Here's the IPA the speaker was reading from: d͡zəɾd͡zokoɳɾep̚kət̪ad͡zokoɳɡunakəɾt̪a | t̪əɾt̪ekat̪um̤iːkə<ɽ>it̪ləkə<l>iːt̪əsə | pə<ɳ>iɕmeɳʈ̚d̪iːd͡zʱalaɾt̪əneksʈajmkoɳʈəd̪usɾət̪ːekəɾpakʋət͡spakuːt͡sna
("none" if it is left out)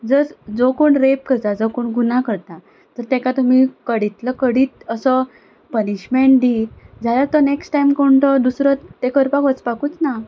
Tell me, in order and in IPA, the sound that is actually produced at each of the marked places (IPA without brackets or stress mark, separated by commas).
ɽ, ɽ, n